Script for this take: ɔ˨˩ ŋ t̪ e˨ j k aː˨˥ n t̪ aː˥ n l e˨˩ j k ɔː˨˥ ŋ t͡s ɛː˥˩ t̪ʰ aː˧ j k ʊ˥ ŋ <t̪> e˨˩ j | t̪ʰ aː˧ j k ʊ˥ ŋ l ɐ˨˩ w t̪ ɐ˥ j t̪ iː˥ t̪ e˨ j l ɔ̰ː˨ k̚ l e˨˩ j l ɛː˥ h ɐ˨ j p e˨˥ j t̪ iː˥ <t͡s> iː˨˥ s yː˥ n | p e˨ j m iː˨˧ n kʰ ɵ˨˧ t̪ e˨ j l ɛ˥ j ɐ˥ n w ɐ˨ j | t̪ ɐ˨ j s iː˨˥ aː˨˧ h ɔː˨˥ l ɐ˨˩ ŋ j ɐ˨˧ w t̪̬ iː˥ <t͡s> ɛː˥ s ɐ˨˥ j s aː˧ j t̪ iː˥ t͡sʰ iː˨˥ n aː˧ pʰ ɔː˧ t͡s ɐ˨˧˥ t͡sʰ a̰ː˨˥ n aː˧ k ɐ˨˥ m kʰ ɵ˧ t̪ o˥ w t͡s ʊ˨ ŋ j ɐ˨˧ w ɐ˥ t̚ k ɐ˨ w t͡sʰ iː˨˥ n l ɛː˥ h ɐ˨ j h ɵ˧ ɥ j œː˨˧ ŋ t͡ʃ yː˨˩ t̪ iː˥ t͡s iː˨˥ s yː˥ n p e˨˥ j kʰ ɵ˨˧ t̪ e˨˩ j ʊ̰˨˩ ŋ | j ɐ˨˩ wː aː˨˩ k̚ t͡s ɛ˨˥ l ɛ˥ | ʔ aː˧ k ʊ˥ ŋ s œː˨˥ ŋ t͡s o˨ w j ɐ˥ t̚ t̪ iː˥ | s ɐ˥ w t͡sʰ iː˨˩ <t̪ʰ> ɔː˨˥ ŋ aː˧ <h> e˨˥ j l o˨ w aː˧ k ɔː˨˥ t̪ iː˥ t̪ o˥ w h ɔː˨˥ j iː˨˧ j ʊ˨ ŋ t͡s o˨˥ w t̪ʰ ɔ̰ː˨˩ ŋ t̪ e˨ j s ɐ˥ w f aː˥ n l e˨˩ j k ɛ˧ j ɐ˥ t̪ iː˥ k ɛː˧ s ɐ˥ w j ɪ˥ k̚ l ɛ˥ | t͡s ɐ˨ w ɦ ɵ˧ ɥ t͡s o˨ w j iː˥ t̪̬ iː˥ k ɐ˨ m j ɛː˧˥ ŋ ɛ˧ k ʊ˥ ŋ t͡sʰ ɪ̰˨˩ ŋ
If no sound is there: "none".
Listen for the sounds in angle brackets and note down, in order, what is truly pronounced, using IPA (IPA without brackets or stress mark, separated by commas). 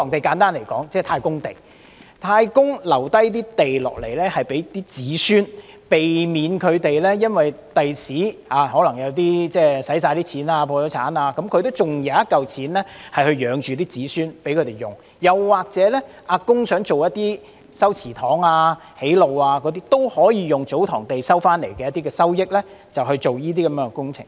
t̪, t͡s, t͡s, t̪ʰ, h